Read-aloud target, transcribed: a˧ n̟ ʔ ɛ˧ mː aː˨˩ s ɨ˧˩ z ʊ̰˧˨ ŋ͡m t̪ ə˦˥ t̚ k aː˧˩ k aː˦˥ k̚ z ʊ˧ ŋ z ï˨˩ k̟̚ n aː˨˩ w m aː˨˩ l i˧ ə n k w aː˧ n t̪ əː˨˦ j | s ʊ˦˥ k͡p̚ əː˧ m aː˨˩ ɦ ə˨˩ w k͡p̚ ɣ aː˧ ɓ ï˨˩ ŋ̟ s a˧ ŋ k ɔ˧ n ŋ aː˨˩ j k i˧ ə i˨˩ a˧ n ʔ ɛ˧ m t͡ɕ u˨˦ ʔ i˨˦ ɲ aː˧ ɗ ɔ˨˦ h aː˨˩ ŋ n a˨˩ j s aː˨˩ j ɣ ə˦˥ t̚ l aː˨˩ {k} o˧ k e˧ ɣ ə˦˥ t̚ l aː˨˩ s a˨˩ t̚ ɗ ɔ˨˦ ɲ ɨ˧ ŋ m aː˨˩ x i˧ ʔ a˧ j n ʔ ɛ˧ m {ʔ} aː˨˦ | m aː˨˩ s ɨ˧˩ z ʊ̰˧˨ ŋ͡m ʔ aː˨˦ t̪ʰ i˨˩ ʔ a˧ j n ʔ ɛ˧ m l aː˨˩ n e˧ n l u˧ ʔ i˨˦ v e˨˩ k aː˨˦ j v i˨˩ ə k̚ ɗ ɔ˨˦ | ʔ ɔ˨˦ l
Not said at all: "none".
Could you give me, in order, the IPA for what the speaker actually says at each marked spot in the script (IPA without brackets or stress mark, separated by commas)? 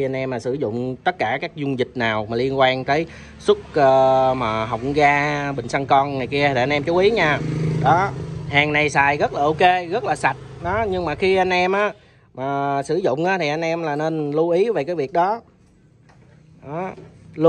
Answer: ʔ, ʔ